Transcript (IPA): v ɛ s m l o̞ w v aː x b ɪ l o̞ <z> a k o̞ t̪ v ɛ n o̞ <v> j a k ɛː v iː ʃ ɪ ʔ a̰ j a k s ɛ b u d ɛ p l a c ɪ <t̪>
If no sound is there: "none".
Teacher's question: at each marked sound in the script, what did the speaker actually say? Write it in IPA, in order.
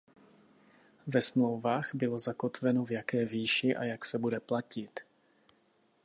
z, v, t̪

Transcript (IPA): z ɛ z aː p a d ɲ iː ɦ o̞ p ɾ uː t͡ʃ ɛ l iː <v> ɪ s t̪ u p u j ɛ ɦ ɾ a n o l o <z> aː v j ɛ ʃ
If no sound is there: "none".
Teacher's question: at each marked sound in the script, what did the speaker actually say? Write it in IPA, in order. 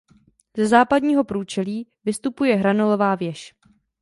v, v

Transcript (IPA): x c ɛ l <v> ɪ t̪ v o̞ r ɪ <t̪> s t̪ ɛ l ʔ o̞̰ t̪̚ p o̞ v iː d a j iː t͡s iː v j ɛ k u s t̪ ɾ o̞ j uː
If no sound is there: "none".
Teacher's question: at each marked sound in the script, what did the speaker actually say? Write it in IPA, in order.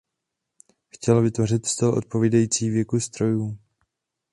v, t̪

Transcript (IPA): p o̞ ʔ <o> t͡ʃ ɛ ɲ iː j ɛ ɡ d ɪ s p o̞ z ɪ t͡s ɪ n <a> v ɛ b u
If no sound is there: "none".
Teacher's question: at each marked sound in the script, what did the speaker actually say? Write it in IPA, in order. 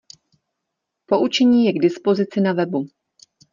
u, a

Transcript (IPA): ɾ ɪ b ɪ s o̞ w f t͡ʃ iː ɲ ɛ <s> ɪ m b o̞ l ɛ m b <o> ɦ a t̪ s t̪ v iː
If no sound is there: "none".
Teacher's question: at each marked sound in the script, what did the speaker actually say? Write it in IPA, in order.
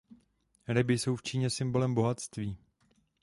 s, o

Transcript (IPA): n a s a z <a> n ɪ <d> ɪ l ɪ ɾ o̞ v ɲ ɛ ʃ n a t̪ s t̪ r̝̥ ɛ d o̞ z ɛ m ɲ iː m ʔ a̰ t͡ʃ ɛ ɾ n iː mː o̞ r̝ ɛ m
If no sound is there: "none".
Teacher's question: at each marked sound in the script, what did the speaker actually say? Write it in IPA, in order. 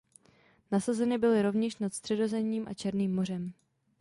ɛ, b

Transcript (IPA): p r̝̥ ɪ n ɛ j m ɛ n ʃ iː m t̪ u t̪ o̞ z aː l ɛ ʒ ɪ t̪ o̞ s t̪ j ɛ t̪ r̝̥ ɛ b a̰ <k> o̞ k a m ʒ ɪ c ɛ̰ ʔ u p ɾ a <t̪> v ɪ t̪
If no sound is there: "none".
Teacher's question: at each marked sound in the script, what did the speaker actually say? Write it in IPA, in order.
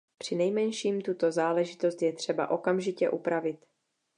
ʔ, none

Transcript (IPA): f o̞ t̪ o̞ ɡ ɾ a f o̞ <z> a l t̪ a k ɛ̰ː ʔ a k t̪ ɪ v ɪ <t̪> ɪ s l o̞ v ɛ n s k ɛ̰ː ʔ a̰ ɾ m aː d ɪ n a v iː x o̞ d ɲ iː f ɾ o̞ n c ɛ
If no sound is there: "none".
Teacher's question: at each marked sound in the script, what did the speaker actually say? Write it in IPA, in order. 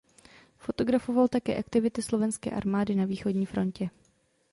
v, t̪

